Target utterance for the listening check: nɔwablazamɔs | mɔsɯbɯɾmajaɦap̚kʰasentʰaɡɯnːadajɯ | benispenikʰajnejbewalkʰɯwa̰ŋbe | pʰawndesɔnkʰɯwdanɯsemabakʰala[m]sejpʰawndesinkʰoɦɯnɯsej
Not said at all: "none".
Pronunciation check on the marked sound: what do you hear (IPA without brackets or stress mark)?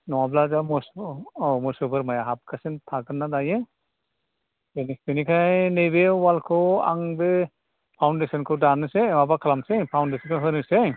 m